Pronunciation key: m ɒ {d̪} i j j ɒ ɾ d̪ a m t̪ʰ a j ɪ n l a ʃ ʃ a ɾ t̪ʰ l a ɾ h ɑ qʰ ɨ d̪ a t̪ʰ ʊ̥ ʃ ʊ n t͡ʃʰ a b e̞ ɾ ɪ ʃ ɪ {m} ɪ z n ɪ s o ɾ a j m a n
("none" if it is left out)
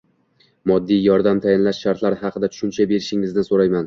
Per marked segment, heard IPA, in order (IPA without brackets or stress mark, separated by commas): d̪ː, ŋ